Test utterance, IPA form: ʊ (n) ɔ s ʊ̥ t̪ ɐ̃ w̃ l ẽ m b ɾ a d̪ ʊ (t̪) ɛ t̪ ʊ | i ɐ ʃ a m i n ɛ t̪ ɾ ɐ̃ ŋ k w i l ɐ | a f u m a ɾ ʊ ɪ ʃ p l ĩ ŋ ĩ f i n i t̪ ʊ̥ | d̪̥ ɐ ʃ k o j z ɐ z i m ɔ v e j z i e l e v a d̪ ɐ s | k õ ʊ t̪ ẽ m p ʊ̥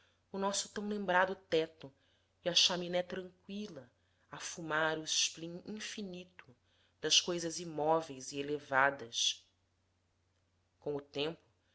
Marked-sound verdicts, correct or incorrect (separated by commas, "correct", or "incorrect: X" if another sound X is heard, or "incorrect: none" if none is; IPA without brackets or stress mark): correct, correct